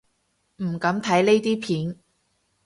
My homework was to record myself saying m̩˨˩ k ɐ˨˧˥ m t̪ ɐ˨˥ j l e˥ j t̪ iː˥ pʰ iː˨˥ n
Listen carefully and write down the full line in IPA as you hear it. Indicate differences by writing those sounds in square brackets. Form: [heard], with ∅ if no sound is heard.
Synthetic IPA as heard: m̩˨˩ k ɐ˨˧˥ m [t̪ʰ] ɐ˨˥ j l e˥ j t̪ iː˥ pʰ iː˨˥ n

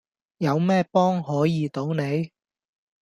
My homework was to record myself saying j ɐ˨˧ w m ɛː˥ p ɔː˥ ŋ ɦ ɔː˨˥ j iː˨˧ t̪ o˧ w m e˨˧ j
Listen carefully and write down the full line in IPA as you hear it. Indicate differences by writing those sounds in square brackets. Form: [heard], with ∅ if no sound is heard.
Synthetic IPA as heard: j ɐ˨˧ w m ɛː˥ p ɔː˥ ŋ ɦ ɔː˨˥ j iː˨˧ t̪ [o˨˥] w [n] e˨˧ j

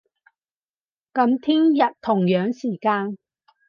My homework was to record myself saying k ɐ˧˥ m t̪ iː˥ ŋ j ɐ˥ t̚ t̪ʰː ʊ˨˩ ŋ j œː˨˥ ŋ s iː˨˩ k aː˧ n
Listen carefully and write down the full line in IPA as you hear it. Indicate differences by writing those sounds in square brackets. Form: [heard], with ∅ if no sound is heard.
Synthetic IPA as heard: k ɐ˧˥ m [t̪ʰ] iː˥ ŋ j [ɐ˨] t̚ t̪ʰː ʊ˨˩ ŋ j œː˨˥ ŋ s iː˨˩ k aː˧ n

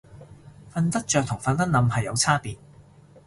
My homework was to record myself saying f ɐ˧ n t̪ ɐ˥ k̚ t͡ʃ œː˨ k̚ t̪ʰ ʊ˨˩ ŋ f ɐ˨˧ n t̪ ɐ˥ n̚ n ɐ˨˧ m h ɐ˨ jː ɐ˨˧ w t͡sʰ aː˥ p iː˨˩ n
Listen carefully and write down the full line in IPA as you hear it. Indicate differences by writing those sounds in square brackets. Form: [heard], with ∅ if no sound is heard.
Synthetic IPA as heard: f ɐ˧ n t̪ ɐ˥ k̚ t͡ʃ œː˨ k̚ t̪ʰ ʊ˨˩ ŋ f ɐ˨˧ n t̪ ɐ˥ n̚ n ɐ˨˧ m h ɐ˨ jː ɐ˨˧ w t͡sʰ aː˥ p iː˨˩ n

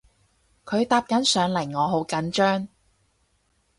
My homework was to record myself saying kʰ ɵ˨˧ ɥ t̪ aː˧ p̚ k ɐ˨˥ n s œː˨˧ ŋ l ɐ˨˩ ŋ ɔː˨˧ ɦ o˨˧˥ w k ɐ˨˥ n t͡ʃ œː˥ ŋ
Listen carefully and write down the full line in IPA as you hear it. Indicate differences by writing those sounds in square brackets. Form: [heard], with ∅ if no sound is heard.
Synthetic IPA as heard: kʰ ɵ˨˧ ɥ t̪ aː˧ p̚ k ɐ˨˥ n s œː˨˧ ŋ l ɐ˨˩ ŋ ɔː˨˧ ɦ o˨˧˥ w k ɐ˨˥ n t͡ʃ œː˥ ŋ

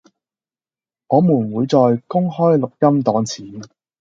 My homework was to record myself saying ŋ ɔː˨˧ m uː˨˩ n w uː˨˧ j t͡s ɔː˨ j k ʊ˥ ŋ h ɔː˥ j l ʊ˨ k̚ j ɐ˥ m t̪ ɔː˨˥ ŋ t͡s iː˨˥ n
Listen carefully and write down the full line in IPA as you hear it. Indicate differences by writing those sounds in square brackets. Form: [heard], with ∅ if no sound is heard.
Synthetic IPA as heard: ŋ ɔː˨˧ m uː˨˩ n w uː˨˧ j t͡s ɔː˨ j k ʊ˥ ŋ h ɔː˥ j l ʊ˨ k̚ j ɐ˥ m t̪ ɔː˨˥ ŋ [t͡sʰ] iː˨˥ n

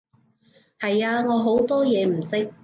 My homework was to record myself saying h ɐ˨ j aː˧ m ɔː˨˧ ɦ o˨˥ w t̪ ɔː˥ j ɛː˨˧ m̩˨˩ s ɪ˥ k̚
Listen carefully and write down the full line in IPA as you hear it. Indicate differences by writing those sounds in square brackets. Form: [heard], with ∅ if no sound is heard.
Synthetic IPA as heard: h ɐ˨ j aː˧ [ŋ] ɔː˨˧ ɦ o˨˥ w t̪ ɔː˥ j ɛː˨˧ m̩˨˩ s ɪ˥ k̚

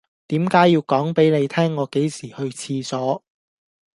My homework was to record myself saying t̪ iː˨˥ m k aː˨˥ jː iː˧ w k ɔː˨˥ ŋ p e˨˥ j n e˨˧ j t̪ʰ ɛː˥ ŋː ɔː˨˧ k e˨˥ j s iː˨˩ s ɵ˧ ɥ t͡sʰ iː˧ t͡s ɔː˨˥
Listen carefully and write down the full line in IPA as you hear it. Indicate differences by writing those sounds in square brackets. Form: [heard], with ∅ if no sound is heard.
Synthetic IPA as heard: t̪ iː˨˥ m k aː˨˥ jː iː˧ w k ɔː˨˥ ŋ p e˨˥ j n e˨˧ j t̪ʰ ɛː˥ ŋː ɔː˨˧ k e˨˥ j s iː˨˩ [h] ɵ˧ ɥ t͡sʰ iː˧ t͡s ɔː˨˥

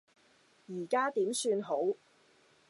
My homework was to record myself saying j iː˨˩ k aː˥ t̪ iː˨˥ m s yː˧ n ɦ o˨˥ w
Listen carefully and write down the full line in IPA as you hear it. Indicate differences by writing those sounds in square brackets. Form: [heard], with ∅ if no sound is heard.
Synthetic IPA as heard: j iː˨˩ k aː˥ t̪ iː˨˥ m s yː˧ n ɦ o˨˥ w

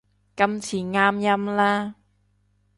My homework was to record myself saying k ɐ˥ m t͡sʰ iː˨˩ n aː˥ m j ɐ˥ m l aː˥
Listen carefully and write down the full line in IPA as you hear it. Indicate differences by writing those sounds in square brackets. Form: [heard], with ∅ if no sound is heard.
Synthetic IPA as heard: k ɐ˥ m t͡sʰ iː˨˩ [ŋ] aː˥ m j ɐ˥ m l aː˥

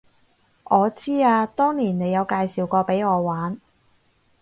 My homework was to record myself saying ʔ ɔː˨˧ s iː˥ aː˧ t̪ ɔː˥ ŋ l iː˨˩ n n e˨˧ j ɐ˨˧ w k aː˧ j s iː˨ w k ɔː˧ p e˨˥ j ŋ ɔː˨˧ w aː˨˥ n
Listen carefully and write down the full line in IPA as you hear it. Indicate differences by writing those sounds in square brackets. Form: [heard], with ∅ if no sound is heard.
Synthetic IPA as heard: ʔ ɔː˨˧ [t͡s] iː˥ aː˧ t̪ ɔː˥ ŋ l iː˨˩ n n e˨˧ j ɐ˨˧ w k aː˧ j s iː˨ w k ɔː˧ p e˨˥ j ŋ ɔː˨˧ w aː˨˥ n

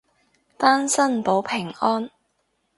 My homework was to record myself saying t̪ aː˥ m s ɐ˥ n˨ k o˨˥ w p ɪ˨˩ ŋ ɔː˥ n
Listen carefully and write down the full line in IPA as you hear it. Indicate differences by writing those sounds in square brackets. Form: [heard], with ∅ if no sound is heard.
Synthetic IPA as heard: t̪ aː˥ [n] s ɐ˥ n˨ [p] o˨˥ w [pʰ] ɪ˨˩ ŋ ɔː˥ n

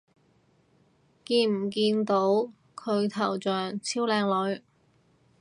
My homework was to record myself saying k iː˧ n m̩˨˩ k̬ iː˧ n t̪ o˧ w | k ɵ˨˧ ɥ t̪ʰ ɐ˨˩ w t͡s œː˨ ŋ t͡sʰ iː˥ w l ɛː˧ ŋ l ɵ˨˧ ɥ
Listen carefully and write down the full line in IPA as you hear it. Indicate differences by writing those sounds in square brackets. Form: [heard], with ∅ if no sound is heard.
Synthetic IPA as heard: k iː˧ n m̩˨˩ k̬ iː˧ n t̪ [o˨˥] w | [kʰ] ɵ˨˧ ɥ t̪ʰ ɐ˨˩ w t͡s œː˨ ŋ t͡sʰ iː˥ w l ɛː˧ ŋ l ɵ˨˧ ɥ

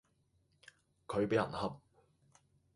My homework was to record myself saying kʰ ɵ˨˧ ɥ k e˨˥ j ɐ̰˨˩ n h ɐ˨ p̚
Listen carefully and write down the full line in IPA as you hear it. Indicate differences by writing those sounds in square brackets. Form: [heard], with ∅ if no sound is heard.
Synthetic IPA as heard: kʰ ɵ˨˧ ɥ [p] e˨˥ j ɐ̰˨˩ n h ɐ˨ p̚

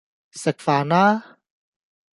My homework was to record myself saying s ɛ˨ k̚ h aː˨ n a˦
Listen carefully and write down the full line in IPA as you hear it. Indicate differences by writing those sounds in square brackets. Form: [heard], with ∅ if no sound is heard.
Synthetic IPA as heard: s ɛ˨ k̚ [f] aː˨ n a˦

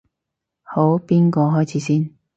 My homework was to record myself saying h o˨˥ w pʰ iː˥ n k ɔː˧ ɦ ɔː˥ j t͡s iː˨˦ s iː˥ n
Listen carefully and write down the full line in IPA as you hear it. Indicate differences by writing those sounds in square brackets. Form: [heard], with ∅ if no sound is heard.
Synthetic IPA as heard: h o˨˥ w [p] iː˥ n k ɔː˧ ɦ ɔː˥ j [t͡sʰ] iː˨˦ s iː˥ n

